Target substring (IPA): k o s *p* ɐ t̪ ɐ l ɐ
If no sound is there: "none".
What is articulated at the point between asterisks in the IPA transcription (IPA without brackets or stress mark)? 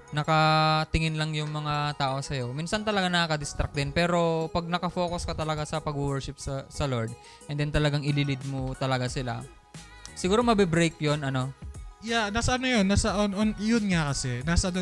k